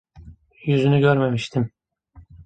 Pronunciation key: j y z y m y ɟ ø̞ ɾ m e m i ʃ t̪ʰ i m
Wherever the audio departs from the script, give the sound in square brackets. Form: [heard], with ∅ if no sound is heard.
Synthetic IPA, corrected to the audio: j y z y [n] y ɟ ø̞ ɾ m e m i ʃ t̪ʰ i m